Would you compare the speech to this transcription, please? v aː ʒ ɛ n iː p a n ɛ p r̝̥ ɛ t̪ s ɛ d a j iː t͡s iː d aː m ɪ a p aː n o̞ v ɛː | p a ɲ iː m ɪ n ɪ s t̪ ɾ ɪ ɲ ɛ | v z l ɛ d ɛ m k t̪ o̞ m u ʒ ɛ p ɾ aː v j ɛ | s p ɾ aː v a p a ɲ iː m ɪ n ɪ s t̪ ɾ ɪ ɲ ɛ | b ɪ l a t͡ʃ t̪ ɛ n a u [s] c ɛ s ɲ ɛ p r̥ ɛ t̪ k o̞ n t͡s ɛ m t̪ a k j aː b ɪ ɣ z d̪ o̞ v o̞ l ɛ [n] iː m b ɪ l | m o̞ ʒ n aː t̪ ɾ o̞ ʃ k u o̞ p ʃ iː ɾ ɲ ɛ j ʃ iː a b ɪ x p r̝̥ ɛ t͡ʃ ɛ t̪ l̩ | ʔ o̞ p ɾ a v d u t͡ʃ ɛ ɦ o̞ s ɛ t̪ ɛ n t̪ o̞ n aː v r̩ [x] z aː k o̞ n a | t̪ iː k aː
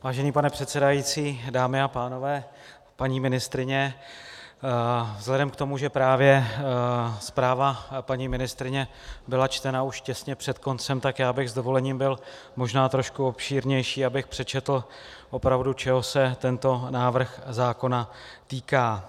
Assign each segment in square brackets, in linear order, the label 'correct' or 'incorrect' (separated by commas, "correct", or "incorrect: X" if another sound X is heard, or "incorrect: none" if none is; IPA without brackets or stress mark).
incorrect: ʃ, incorrect: ɲ, correct